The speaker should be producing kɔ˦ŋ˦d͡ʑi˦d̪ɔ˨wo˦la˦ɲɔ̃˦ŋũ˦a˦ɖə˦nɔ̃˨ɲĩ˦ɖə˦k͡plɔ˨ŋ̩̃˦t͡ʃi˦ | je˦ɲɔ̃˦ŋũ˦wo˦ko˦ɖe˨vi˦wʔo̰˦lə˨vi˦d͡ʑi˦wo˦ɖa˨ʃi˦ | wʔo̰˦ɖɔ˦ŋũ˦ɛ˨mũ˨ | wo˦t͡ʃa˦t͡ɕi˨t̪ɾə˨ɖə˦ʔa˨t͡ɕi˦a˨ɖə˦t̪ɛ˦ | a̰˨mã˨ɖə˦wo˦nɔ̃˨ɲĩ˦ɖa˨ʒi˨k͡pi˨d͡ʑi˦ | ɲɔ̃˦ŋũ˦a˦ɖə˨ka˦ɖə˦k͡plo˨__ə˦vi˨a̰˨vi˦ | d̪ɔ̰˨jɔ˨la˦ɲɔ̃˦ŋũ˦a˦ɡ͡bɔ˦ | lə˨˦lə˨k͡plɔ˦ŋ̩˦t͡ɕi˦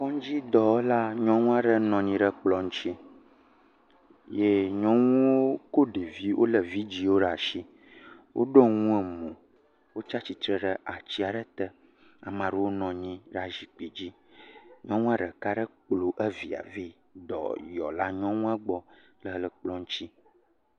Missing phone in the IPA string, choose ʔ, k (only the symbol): ʔ